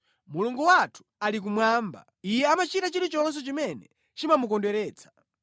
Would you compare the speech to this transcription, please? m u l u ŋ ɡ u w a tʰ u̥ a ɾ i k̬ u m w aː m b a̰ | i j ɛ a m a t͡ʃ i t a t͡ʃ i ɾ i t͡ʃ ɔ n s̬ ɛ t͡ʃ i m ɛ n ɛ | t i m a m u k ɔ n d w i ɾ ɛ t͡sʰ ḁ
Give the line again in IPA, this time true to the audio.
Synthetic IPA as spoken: m u l u ŋ ɡ u w a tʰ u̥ a l i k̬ u m w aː m b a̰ | i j ɛ a m a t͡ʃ i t a t͡ʃ i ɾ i t͡ʃ ɔ n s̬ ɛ t͡ʃ i m ɛ n ɛ | t͡ʃ i m a m u k ɔ n d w ɛ ɾ ɛː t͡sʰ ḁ